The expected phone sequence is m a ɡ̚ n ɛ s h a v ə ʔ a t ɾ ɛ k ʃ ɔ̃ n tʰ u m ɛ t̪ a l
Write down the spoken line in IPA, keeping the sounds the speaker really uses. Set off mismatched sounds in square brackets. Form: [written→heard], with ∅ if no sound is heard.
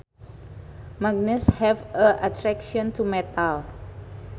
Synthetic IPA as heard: m a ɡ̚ n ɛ s h [a→ɛ] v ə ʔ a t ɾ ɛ k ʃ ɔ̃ n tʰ u m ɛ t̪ a l